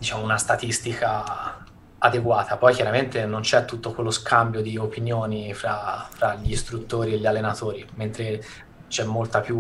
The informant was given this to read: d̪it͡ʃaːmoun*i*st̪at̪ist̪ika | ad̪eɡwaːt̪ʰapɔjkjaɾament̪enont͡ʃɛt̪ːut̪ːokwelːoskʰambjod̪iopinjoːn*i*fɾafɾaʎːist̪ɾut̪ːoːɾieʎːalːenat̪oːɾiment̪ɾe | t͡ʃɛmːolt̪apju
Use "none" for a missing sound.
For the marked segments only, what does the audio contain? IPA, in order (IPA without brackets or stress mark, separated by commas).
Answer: a, i